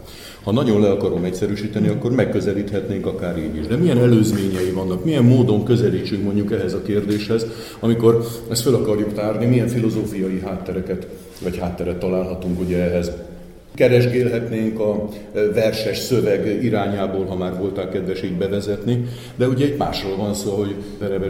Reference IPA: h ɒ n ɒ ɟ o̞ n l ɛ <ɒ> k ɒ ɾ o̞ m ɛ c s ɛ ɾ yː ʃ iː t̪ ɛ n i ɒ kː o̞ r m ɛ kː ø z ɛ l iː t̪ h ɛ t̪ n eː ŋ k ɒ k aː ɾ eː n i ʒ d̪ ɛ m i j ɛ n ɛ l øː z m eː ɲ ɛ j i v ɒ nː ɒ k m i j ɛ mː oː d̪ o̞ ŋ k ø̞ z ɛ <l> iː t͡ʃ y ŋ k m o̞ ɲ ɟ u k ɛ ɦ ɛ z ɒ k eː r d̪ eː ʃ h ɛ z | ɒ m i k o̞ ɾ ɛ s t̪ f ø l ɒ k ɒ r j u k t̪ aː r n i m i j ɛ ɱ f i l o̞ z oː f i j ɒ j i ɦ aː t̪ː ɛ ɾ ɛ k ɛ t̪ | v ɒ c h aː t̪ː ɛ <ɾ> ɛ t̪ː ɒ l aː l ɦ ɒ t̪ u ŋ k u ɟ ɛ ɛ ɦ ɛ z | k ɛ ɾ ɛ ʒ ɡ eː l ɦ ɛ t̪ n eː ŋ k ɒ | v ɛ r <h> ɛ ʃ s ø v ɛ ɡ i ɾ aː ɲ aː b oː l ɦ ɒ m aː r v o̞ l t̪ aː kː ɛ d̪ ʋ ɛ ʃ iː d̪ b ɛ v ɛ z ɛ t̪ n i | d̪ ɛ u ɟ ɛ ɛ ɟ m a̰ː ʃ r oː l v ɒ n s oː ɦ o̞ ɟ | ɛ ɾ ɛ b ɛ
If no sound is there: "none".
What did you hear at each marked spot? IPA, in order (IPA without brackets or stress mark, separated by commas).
ɒ, l, ɾ, ʃ